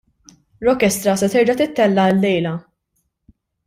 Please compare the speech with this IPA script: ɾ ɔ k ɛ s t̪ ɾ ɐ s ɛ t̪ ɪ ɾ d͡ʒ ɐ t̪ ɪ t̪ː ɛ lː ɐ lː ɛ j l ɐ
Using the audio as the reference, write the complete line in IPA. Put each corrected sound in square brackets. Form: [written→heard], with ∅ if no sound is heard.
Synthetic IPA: ɾ ɔ k ɛ s t̪ ɾ ɐ s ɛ t̪ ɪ ɾ d͡ʒ ɐ t̪ ɪ t̪ː ɛ lː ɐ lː ɛ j l ɐ